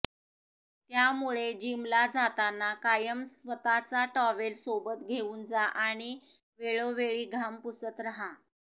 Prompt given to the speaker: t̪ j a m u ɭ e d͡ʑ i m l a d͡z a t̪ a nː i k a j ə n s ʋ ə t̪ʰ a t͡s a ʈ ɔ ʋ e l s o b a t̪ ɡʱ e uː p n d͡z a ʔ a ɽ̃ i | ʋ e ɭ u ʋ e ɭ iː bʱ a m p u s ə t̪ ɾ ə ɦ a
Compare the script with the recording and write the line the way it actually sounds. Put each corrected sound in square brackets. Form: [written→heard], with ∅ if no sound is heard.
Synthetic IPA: t̪ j a m u ɭ e d͡ʑ i m l a d͡z a t̪ a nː [i→a] k a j ə [n→m] s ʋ ə [t̪ʰ→t̪] a t͡s a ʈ ɔ ʋ e l s o b [a→ə] t̪ ɡʱ e uː [p→∅] n d͡z a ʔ a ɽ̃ i | ʋ e ɭ [u→o] ʋ e ɭ iː [bʱ→ɡʱ] a m p u s ə t̪ ɾ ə ɦ a